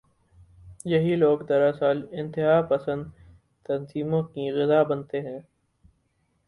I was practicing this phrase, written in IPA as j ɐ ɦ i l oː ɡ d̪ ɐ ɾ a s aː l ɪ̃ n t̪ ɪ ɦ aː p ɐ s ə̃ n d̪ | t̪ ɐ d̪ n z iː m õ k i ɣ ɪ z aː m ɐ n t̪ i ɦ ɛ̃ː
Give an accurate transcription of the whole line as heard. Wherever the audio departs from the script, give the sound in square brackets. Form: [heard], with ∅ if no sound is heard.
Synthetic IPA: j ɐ ɦ i l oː ɡ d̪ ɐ ɾ a s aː l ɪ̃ n t̪ ɪ ɦ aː p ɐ s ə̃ n d̪ | t̪ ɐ [∅] n z iː m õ k i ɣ ɪ z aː [b] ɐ n t̪ [e] ɦ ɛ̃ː